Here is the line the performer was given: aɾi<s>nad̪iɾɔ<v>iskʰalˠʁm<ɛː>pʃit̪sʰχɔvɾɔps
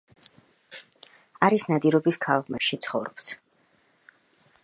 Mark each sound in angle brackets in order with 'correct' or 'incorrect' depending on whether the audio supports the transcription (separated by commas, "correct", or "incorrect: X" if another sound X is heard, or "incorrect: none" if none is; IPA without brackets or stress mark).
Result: correct, incorrect: b, incorrect: ɛ